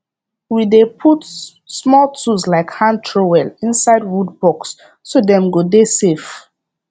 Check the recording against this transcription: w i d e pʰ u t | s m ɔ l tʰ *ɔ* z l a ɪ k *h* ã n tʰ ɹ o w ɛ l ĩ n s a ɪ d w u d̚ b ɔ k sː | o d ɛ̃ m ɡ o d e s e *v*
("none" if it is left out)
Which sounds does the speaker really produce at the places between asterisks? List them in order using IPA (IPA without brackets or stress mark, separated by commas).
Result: u, h, f